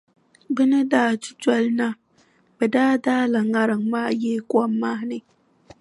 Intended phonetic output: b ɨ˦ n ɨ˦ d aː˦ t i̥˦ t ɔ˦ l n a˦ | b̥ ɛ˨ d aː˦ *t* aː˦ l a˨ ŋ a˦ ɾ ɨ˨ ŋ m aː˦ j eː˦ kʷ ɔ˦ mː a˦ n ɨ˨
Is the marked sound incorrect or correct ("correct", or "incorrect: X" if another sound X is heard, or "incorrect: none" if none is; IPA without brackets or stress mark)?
incorrect: d